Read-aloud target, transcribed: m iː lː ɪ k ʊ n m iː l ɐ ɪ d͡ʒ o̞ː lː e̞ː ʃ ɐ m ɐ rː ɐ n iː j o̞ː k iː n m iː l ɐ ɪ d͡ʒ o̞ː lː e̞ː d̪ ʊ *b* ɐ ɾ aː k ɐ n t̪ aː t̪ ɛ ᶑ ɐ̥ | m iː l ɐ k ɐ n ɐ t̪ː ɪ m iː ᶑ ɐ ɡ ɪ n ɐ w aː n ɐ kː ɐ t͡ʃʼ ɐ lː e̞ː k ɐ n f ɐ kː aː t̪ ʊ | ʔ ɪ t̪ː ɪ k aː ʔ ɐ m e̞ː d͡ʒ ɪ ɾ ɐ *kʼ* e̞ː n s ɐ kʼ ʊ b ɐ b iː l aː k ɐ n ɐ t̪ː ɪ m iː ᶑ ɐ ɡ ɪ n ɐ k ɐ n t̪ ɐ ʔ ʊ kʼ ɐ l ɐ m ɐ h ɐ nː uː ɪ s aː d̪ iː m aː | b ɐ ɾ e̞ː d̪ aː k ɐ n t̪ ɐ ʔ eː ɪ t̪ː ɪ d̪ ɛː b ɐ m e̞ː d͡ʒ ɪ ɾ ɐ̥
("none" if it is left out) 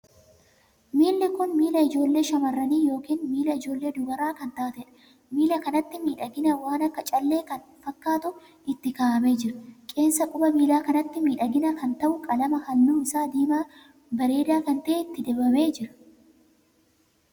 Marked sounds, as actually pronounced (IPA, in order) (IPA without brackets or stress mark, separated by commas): ɡ, kʼ